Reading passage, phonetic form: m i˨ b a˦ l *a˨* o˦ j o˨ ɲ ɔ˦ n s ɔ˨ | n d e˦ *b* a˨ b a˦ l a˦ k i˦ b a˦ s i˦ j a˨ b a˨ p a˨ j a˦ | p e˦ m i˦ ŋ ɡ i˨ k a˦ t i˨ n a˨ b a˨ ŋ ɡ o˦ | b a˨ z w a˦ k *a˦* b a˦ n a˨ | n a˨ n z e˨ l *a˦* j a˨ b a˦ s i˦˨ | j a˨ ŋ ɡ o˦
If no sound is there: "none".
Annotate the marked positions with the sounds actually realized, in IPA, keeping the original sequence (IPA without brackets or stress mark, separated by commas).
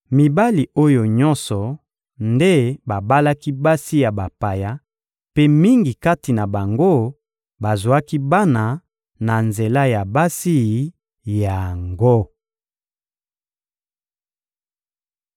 i˨, b, i˦, a˦